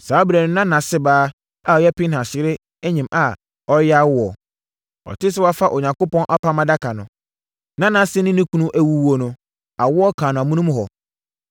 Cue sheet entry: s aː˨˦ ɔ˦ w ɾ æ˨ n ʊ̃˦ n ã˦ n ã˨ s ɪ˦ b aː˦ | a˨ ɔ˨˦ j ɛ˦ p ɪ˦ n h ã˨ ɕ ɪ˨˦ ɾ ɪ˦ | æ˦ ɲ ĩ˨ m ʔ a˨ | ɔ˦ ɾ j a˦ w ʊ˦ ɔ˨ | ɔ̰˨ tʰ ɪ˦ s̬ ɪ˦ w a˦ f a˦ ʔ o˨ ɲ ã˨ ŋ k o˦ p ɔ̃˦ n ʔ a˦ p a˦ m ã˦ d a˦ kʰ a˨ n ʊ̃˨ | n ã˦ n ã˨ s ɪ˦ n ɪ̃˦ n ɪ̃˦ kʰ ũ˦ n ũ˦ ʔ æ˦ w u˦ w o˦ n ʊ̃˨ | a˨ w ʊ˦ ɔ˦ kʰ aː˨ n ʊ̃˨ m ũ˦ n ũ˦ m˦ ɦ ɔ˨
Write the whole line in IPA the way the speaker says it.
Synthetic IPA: s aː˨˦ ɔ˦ b ɾ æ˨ n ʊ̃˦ n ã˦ n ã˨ s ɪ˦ b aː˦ | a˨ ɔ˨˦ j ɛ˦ p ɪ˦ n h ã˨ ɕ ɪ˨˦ ɾ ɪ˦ | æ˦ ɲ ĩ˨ m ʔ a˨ | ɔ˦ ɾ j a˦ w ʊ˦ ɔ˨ | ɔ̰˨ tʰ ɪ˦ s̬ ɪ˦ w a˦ f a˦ ʔ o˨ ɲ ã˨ ŋ k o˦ p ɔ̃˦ n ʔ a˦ p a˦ m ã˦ d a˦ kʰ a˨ n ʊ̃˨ | n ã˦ n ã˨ s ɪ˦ n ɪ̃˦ n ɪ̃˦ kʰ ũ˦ n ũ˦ ʔ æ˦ w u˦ w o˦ n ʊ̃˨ | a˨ w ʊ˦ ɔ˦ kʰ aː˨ n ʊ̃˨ m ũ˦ n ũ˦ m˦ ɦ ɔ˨